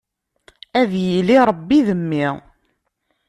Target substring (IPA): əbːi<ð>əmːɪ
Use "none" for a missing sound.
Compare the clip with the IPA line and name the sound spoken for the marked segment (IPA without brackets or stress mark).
ð